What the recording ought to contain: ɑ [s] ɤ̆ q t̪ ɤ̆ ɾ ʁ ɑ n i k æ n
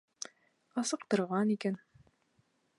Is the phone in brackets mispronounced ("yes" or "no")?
no